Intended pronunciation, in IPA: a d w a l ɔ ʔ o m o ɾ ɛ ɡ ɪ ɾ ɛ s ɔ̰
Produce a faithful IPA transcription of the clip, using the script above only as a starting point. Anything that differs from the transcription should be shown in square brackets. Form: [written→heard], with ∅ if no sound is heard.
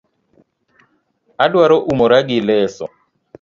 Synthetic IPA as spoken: a d w a [l→ɾ] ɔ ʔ [o→u] m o ɾ [ɛ→a] ɡ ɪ [ɾ→l] ɛ s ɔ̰